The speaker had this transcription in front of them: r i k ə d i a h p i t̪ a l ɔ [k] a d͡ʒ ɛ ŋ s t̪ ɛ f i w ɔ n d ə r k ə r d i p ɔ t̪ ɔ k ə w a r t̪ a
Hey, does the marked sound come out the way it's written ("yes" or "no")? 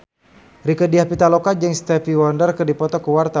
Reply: yes